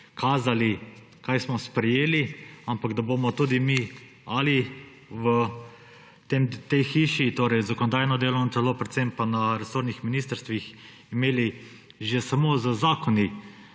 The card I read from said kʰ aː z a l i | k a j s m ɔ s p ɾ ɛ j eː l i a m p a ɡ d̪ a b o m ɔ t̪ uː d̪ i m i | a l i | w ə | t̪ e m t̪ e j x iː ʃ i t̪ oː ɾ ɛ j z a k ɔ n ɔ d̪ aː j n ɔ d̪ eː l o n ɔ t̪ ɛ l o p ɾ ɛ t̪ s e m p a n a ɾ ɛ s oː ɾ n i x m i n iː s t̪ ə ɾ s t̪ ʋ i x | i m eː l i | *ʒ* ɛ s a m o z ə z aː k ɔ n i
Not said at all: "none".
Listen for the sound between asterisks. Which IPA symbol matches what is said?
ʒ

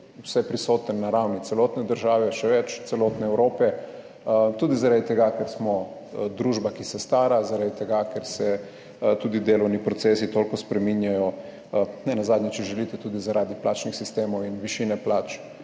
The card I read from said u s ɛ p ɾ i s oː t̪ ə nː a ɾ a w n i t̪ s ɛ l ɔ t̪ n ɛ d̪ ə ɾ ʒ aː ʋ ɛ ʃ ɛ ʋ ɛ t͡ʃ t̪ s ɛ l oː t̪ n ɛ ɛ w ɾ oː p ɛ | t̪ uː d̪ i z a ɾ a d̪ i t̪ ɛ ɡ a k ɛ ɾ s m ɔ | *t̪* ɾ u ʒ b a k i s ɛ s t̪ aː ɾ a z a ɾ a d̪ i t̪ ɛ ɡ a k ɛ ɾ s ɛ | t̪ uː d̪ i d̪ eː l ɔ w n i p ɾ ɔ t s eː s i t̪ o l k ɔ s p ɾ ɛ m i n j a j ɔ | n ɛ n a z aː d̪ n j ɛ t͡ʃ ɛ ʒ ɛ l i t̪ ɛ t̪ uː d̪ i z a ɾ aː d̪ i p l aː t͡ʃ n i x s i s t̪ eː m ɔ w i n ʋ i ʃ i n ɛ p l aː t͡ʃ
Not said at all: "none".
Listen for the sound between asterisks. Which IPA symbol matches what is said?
d̪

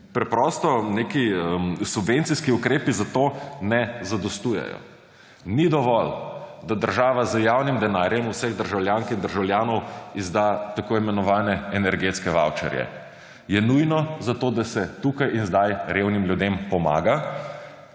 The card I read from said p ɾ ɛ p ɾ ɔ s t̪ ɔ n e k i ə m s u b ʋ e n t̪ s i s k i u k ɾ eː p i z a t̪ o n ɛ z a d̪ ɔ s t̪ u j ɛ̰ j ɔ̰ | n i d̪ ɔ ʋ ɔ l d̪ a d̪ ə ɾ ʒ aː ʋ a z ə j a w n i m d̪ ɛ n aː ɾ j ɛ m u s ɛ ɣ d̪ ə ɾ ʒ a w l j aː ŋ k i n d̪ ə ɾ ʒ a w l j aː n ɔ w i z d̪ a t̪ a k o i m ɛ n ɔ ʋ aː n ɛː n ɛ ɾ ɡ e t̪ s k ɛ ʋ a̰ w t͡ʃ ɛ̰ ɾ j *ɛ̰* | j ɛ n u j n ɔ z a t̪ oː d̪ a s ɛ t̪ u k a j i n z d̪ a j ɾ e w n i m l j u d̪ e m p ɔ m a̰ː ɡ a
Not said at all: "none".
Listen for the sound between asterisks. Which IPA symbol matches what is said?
ɛ̰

